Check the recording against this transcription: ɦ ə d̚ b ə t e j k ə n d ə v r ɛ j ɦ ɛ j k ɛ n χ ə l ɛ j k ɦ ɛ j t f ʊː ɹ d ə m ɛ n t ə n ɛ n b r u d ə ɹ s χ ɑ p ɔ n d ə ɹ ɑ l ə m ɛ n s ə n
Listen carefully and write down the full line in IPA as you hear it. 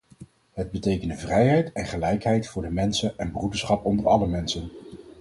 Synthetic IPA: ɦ ə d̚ b ə t e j k ə n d ə v r ɛ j ɦ ɛ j t ɛ n χ ə l ɛ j k ɦ ɛ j t f ʊː ɹ d ə m ɛ n s ə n ɛ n b r u d ə ɹ s χ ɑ p ɔ n d ə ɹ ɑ l ə m ɛ n s ə n